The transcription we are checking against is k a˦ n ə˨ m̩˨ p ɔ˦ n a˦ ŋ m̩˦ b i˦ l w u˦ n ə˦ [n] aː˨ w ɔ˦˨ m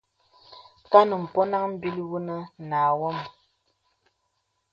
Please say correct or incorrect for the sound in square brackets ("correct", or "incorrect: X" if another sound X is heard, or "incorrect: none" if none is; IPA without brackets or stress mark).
correct